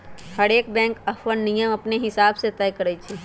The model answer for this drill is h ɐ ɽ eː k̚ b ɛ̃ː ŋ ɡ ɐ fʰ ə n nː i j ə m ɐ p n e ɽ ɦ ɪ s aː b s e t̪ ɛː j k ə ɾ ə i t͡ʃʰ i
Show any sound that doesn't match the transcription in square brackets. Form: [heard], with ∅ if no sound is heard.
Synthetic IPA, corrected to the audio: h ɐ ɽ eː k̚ b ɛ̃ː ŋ [k] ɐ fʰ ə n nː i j ə m ɐ p n e [∅] ɦ ɪ s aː b s e t̪ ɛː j k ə ɾ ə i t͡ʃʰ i